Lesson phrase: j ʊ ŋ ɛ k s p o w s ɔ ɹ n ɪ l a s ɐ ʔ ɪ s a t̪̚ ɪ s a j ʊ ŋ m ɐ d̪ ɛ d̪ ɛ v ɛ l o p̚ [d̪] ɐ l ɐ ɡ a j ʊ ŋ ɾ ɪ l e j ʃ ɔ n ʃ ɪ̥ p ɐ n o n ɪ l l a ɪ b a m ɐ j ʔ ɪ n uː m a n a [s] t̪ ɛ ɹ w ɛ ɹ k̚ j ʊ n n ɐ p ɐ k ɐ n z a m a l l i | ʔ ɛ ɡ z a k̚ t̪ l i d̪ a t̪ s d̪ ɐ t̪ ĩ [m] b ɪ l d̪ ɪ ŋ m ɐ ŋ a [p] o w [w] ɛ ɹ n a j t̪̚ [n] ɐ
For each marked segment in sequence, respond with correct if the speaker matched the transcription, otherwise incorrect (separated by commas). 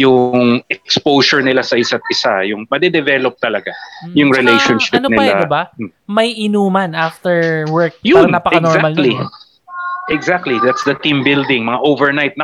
incorrect, incorrect, correct, incorrect, incorrect, correct